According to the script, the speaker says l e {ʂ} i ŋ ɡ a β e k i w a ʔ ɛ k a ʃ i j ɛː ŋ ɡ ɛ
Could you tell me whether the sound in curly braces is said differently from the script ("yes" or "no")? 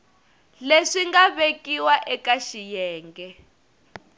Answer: no